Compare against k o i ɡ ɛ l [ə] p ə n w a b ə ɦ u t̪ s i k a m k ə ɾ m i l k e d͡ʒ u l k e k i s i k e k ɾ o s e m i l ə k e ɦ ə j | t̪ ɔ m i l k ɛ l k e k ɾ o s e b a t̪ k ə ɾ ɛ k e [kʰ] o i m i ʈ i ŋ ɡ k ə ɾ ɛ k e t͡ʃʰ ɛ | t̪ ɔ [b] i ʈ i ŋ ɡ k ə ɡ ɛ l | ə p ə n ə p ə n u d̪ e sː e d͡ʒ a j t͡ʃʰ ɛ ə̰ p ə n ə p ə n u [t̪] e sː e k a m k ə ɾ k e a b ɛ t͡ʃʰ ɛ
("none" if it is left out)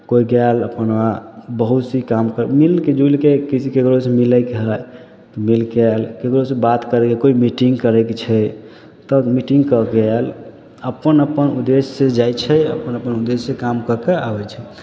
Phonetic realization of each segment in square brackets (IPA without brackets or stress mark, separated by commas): ə, k, m, d̪